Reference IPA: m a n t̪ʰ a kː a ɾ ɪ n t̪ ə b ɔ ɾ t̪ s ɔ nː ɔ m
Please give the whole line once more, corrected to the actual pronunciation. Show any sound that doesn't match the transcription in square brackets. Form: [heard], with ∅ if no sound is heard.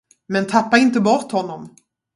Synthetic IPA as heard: m [ɛ] n t̪ʰ a [pː] a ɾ ɪ n t̪ ə b ɔ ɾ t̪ [h] ɔ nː ɔ m